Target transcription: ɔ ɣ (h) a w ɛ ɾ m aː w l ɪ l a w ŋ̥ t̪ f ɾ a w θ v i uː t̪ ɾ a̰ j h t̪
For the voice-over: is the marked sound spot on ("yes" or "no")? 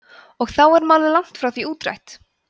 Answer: no